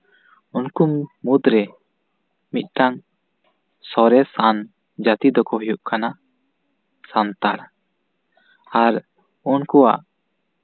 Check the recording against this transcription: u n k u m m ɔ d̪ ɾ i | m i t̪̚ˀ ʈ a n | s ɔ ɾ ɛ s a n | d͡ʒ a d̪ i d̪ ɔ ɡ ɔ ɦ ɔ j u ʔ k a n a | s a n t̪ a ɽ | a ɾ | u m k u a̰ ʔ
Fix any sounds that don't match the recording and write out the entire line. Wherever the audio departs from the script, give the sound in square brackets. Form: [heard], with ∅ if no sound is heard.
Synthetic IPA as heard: u n k u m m [u] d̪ ɾ [ɛ] | m i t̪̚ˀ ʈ a [ŋ] | s ɔ ɾ ɛ s a n | d͡ʒ a [t̪] i d̪ ɔ [k] ɔ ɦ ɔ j u ʔ k a n a | s a n t̪ a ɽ | a ɾ | u [n] k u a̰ ʔ